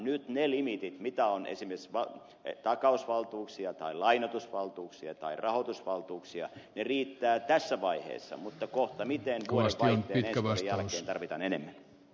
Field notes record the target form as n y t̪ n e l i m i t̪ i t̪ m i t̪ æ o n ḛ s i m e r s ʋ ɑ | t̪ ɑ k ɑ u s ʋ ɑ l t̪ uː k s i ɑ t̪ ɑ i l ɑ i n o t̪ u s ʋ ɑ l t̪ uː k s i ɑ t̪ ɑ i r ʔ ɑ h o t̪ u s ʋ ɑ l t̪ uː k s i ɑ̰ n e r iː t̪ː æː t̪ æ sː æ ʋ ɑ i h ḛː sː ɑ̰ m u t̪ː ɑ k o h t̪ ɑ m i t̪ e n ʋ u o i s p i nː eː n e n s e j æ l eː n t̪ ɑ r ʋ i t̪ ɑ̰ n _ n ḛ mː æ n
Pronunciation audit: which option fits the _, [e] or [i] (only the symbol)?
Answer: e